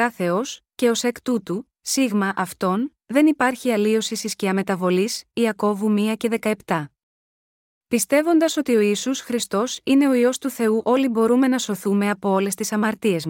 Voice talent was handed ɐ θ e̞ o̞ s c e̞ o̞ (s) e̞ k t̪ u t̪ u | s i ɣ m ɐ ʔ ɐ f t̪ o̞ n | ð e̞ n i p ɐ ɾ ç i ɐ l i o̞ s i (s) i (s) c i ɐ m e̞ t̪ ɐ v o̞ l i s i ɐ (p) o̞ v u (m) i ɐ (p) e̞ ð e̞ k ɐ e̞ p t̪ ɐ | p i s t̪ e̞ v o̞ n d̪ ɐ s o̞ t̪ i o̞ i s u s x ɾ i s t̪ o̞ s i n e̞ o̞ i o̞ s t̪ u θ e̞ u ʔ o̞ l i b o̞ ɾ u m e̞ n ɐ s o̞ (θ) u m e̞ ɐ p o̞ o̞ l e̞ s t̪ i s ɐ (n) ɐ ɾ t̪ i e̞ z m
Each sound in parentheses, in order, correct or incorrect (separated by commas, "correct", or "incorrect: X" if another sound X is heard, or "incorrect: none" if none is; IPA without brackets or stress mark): correct, correct, correct, incorrect: k, correct, incorrect: c, correct, incorrect: m